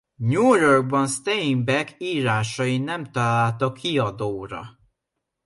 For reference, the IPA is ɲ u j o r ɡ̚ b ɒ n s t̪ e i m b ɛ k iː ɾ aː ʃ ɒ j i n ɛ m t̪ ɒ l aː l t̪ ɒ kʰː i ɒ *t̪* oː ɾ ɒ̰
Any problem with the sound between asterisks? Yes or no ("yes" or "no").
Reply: yes